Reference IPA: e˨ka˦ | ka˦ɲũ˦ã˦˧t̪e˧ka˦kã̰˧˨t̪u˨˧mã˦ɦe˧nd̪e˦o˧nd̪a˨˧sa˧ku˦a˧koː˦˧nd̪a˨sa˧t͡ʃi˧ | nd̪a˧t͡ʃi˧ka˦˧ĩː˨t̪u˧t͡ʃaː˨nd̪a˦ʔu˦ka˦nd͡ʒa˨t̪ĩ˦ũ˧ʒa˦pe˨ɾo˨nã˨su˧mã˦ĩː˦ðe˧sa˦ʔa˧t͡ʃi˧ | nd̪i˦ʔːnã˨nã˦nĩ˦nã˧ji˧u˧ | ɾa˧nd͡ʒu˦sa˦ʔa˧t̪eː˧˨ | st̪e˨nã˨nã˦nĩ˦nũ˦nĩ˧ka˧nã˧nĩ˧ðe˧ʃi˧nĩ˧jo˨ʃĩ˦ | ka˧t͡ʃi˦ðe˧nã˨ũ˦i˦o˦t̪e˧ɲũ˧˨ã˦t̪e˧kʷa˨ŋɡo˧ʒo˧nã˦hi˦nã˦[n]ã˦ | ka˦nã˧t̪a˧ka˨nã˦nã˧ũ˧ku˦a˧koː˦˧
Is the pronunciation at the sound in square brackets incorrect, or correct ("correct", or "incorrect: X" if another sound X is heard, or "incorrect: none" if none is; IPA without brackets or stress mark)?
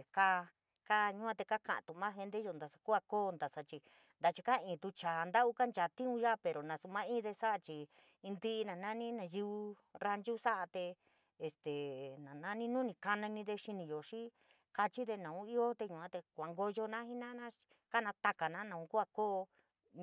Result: correct